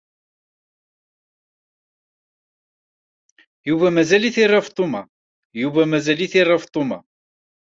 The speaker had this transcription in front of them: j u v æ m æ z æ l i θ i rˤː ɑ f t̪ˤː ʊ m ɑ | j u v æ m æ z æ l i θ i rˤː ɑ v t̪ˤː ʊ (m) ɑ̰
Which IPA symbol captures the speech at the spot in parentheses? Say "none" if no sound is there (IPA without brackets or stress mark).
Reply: m